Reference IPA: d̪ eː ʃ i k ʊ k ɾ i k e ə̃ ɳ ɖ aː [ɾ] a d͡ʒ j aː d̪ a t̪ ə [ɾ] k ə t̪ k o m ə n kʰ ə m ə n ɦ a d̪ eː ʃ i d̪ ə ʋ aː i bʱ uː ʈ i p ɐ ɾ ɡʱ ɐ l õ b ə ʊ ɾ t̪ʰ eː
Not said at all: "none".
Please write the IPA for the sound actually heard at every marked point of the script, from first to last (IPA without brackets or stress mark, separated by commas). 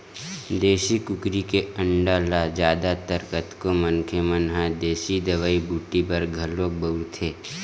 l, ɾ